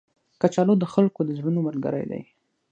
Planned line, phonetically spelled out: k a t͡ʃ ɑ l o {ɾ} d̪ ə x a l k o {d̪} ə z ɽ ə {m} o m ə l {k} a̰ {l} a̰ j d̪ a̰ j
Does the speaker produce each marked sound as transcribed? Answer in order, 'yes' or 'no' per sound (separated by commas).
no, yes, no, no, no